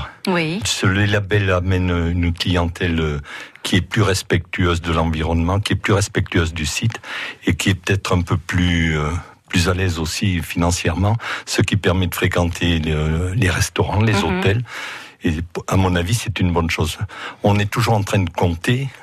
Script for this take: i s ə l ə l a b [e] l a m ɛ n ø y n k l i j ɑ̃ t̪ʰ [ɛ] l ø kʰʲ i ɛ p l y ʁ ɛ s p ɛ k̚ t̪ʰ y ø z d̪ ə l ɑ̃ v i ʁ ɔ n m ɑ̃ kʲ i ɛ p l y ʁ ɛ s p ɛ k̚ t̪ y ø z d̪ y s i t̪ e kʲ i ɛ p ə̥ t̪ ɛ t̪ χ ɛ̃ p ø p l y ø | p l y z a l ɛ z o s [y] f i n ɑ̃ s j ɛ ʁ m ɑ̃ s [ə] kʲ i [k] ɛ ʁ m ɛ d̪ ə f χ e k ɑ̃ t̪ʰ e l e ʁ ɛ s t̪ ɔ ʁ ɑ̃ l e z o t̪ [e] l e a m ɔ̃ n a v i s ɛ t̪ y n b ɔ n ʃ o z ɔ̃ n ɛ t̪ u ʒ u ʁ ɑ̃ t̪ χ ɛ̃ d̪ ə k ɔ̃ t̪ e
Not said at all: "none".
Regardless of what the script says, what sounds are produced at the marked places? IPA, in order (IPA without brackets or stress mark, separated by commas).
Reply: ɛ, ɛ, i, ə, p, ɛ